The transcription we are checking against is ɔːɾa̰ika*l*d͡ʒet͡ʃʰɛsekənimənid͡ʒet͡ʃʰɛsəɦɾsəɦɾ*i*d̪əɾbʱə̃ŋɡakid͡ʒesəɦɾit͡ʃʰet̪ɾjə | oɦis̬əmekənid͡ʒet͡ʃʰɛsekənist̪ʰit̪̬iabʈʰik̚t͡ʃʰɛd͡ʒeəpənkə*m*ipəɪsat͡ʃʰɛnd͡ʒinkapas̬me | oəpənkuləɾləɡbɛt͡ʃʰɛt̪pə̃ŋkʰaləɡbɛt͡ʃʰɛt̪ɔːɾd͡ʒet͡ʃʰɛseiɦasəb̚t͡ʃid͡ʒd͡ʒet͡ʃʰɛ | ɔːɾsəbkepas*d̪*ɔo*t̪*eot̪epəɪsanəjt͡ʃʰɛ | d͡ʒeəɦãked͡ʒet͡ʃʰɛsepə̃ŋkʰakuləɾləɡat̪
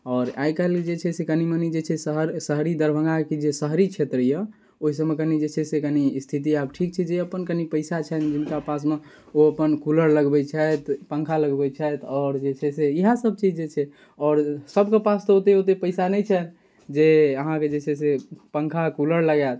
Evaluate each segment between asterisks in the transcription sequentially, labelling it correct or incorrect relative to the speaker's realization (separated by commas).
correct, correct, incorrect, incorrect, correct